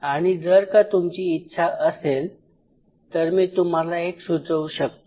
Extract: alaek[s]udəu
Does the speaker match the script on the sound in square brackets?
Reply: yes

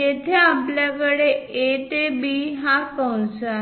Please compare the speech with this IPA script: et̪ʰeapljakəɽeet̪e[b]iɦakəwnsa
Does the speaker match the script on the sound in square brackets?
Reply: yes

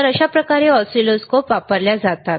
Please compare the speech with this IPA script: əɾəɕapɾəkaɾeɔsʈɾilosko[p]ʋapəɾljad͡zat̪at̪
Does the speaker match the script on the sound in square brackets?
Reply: yes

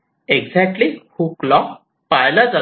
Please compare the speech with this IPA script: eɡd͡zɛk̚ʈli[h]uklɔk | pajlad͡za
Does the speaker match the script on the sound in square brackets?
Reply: yes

